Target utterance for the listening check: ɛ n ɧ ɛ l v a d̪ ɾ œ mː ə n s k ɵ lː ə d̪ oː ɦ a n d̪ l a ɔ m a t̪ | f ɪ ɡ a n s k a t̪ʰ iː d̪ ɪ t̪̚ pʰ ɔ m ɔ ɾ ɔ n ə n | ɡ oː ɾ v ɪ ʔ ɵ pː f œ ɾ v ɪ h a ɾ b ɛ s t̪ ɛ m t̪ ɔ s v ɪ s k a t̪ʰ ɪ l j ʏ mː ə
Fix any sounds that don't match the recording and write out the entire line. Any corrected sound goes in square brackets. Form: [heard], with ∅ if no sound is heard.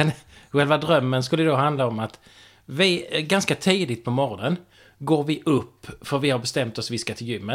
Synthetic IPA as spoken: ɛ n ɧ ɛ l v a d̪ ɾ œ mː ə n s k ɵ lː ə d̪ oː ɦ a n d̪ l a ɔ m a t̪ | [v] ɪ ɡ a n s k a t̪ʰ iː d̪ ɪ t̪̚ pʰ ɔ m ɔ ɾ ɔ n ə n | ɡ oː ɾ v ɪ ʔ ɵ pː f œ ɾ v ɪ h a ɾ b ɛ s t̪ ɛ m t̪ ɔ s v ɪ s k a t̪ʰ ɪ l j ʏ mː ə